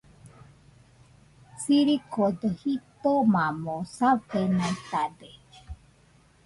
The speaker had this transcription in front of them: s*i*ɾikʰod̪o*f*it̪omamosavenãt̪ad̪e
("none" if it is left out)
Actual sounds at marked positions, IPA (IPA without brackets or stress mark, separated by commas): i, h